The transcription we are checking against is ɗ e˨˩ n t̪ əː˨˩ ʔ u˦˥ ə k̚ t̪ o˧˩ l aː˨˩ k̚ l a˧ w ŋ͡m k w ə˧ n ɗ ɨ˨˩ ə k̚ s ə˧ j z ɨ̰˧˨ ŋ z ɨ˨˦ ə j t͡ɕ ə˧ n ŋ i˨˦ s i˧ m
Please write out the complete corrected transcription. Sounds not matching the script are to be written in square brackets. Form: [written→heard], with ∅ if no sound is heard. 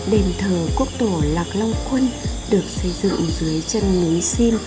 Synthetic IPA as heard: ɗ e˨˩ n [t̪→t̪ʰ] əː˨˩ [ʔ→k] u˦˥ ə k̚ t̪ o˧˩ l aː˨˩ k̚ l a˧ w ŋ͡m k w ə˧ n ɗ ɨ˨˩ ə k̚ s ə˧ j z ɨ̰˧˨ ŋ z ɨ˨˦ ə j t͡ɕ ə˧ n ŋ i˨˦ s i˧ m